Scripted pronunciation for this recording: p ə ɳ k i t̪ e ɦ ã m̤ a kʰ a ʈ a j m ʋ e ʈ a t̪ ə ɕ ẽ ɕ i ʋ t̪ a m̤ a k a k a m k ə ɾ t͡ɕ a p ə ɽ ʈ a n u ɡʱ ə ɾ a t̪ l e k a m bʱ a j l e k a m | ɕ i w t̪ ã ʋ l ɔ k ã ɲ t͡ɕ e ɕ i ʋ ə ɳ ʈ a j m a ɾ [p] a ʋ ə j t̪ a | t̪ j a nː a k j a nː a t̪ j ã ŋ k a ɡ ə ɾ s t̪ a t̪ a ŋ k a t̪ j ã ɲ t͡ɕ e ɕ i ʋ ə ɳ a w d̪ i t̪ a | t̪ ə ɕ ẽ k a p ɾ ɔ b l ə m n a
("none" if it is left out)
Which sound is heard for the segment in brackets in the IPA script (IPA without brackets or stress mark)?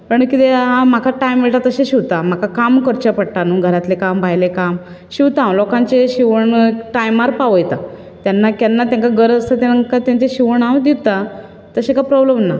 p